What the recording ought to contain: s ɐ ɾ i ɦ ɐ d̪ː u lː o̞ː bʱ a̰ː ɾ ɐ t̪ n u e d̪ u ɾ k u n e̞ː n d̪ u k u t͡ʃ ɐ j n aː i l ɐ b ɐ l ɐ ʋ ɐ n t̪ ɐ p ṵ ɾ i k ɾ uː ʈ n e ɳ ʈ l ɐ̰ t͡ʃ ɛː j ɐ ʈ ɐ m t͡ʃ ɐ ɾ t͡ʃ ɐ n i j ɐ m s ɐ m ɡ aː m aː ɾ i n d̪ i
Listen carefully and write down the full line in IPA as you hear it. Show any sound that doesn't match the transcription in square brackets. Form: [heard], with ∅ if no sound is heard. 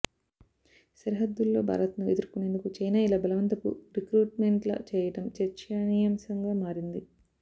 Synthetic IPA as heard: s ɐ ɾ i ɦ ɐ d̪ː u lː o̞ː bʱ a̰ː ɾ ɐ t̪ n u e d̪ u ɾ k u n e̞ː n d̪ u k u t͡ʃ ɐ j n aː i l ɐ b ɐ l ɐ ʋ ɐ n t̪ ɐ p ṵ ɾ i k ɾ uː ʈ [m] e ɳ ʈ l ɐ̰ t͡ʃ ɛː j ɐ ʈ ɐ m t͡ʃ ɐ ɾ t͡ʃ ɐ n i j ɐ m s ɐ [ŋ] ɡ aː m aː ɾ i n d̪ i